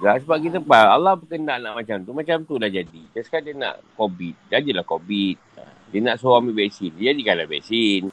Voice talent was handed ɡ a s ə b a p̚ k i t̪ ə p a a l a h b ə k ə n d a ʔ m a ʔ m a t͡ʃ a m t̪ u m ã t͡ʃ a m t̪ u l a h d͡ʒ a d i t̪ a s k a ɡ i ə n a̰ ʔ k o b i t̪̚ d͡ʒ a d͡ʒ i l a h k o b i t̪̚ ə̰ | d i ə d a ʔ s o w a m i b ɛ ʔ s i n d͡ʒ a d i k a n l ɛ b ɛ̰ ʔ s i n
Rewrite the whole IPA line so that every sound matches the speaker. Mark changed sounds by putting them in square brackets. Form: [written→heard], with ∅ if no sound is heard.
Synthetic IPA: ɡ a s ə b a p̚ k i t̪ ə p a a l a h b ə k ə n d a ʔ [m→n] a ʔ m a t͡ʃ a m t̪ u m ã t͡ʃ a m t̪ u l a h d͡ʒ a d i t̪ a s k a [ɡ→d] i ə n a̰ ʔ k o b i t̪̚ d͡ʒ a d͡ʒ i l a h k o b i t̪̚ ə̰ | d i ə [d→n] a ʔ s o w a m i b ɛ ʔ s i n d͡ʒ a d i k a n l [ɛ→a] b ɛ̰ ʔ s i n